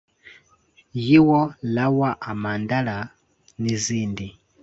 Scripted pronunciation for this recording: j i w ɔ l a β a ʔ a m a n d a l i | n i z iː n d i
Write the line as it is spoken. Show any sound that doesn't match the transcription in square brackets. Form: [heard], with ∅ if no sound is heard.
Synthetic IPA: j i w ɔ l a [w] a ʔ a m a n d a l [a] | n i z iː n d i